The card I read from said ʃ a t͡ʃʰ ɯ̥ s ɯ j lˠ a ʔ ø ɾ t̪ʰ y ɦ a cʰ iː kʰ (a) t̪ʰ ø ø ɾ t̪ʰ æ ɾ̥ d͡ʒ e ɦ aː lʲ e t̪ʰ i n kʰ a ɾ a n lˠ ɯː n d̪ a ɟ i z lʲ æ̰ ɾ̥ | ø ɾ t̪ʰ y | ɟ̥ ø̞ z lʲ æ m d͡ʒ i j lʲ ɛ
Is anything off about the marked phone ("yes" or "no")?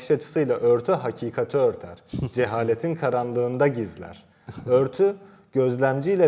no